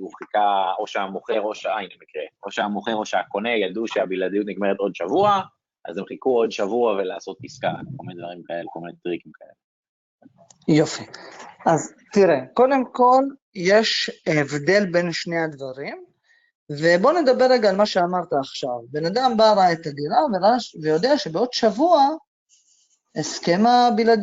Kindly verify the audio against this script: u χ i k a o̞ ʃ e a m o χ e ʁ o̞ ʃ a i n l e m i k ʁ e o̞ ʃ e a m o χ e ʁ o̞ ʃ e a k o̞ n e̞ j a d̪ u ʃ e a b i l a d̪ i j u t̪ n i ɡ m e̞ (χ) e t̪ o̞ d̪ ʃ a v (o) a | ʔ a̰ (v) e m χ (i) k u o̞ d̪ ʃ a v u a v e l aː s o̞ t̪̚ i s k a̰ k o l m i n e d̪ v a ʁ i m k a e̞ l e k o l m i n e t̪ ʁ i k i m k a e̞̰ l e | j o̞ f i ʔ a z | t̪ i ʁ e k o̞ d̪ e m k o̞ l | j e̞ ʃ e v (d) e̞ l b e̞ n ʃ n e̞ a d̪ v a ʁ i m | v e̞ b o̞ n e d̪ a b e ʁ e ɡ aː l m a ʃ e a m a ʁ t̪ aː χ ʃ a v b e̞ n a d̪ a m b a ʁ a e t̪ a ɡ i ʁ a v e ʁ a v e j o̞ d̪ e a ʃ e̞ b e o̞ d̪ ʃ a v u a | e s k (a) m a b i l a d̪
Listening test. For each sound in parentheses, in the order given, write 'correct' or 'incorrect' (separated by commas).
incorrect, incorrect, incorrect, correct, correct, incorrect